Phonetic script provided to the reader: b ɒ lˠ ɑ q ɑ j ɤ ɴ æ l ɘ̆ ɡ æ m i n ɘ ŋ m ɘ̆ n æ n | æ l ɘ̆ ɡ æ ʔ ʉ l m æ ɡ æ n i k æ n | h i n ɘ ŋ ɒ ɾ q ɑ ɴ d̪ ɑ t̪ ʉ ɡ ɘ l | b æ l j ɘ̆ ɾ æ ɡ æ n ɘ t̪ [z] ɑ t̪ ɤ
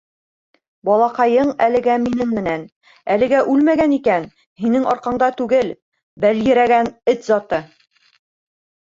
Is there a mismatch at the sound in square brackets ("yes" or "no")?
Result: no